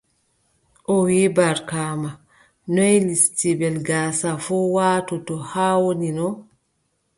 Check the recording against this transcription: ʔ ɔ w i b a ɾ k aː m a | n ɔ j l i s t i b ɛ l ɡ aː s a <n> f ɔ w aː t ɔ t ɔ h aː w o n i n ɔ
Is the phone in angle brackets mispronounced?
yes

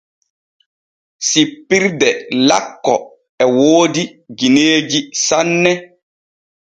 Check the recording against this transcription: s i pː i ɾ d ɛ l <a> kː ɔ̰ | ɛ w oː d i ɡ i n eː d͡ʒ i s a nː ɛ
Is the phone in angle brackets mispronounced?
no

